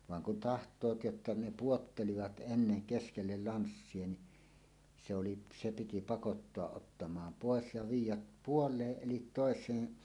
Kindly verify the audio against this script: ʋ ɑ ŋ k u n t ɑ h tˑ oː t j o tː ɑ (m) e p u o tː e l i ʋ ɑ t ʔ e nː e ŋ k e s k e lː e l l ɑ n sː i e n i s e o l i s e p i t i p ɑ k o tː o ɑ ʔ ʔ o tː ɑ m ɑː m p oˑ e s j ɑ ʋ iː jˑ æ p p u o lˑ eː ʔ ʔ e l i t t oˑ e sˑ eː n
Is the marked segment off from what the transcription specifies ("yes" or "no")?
yes